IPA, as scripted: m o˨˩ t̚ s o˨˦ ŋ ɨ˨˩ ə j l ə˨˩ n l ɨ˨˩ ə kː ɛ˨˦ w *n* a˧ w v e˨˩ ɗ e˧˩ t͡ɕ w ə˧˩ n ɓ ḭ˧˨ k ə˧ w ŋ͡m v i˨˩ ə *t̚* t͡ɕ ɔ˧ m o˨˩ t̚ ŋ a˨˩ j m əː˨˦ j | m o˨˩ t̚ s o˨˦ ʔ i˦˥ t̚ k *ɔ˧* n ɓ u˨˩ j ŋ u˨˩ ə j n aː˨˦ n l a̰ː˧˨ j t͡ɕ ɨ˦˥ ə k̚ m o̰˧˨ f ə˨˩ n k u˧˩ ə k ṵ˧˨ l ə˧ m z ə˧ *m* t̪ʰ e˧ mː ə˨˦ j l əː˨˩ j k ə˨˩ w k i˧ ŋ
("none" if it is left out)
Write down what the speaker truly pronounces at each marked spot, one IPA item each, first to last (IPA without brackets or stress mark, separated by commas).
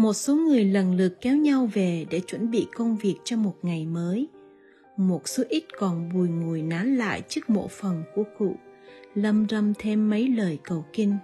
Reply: ɲ, k̚, ɔ˨˩, m